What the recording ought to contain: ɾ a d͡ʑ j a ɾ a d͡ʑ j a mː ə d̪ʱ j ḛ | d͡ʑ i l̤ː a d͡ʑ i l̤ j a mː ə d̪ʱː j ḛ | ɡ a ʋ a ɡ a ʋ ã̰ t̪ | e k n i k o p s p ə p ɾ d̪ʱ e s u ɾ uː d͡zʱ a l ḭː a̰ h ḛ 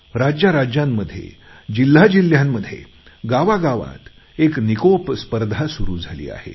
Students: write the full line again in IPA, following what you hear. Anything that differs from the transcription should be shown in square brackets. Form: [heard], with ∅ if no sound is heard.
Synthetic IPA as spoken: ɾ a d͡ʑ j a ɾ a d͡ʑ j a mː ə d̪ʱ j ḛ | d͡ʑ i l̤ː a d͡ʑ i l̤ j a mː ə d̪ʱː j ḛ | ɡ a ʋ a ɡ a ʋ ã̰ t̪ | e k n i k o p s p ə [∅] ɾ d̪ʱ [a] s u ɾ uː d͡zʱ a l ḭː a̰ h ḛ